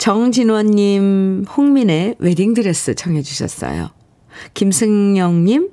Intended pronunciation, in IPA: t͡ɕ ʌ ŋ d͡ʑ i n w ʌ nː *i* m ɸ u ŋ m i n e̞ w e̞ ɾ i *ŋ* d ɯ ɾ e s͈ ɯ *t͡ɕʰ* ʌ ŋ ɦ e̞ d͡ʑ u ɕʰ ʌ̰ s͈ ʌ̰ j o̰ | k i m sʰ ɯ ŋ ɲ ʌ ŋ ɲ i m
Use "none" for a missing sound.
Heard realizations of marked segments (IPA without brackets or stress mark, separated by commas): i, ŋ, t͡ɕʰ